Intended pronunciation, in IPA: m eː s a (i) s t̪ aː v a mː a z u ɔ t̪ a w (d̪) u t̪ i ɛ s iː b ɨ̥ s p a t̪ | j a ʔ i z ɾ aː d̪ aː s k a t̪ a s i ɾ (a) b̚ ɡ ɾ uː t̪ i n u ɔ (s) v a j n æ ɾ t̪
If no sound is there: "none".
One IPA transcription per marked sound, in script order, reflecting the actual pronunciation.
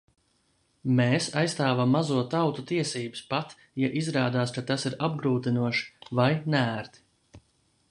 j, t̪, a, ʃ

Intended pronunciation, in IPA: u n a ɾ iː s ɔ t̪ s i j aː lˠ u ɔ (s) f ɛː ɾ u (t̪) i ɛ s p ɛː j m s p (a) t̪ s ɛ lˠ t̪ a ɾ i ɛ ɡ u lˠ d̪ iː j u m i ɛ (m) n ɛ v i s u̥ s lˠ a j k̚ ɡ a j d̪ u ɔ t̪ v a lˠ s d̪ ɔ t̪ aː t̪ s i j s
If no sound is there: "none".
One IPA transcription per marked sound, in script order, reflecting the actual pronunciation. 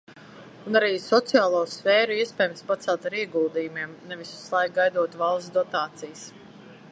s, none, a, m

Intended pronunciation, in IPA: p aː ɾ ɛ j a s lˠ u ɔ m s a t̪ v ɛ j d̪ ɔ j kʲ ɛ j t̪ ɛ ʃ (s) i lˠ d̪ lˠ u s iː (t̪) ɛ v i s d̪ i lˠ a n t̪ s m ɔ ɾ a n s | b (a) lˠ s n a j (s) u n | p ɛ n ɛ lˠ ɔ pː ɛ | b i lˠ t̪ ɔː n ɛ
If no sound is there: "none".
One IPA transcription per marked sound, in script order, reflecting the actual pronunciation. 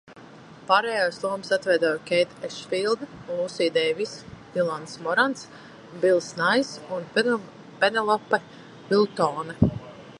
f, d̪, i, s

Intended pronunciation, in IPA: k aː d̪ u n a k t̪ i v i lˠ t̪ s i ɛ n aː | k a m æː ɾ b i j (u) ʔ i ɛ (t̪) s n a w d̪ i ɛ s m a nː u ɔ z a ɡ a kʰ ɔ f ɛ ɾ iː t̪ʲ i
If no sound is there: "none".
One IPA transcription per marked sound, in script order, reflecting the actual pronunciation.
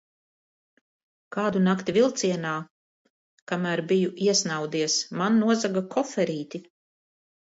u, none

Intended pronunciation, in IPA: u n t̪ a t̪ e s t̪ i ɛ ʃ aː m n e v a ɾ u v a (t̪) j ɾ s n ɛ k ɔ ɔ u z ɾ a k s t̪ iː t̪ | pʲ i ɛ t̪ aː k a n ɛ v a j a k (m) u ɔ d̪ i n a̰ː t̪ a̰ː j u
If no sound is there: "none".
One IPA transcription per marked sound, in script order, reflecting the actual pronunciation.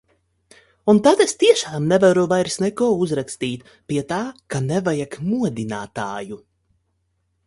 none, m

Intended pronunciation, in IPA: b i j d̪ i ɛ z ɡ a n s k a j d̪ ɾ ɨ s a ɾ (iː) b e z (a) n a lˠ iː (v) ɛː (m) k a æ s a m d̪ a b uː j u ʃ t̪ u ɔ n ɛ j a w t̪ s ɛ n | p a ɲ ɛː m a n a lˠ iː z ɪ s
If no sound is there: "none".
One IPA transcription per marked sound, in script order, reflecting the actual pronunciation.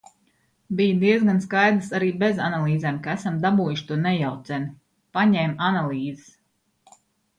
iː, a, z, m

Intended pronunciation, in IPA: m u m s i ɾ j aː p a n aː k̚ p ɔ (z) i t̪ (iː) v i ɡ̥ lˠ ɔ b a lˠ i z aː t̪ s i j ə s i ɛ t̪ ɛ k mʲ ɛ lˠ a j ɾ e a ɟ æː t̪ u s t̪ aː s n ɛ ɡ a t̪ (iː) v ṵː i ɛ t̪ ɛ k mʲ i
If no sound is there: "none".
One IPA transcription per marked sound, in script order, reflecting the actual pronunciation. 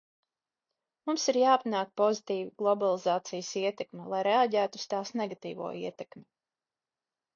z, iː, iː

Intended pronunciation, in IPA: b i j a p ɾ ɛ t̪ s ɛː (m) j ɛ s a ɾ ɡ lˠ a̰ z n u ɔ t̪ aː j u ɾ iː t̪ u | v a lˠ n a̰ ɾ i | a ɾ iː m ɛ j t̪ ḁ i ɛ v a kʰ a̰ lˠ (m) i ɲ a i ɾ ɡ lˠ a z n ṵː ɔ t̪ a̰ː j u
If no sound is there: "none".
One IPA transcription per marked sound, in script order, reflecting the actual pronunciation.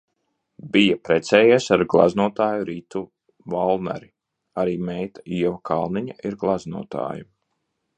none, n

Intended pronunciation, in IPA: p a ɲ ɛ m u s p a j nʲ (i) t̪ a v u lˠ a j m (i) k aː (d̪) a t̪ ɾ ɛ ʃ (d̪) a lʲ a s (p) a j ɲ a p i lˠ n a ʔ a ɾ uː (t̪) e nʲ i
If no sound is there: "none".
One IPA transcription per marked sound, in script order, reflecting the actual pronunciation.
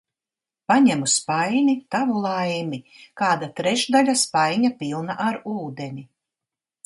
i, i, d̪, d̪, p, d̪

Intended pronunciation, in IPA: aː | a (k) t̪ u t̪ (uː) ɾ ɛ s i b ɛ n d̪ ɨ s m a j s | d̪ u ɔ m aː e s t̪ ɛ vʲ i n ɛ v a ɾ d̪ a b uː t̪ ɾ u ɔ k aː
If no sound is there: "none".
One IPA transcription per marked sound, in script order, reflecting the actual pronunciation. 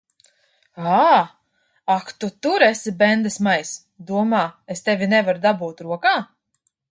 k, u

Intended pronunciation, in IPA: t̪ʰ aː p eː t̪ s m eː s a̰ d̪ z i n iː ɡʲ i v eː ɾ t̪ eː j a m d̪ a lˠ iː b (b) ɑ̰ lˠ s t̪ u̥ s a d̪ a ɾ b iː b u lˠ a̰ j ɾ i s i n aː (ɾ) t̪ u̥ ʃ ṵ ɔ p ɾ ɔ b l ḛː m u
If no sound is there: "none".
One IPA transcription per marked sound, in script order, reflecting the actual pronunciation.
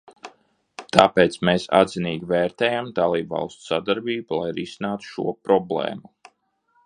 v, none

